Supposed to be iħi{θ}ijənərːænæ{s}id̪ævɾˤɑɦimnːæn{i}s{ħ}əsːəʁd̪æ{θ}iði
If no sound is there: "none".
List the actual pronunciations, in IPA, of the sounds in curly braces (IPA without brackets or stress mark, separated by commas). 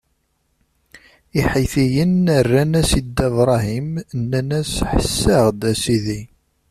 θ, s, æ, ħ, s